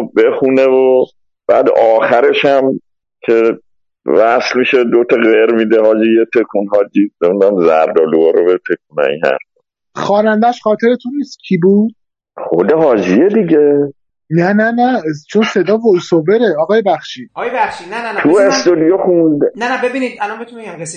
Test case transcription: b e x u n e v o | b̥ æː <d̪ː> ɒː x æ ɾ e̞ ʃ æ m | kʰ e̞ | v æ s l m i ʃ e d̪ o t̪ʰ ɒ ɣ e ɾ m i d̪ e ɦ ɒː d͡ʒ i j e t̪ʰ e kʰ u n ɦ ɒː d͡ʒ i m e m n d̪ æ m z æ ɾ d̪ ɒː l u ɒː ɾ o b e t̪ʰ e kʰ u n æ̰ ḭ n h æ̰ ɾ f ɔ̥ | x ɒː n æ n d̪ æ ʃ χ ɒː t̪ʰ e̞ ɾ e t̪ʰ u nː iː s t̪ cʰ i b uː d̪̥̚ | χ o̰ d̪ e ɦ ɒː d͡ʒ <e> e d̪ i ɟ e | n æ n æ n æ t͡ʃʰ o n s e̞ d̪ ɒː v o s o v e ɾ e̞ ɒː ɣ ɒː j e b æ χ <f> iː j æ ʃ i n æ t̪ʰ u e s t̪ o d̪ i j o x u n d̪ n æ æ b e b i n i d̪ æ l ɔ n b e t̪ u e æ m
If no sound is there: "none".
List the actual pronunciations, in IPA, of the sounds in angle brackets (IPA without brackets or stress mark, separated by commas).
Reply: d̪, i, ʃ